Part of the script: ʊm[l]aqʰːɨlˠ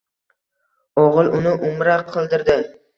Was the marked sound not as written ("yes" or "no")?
yes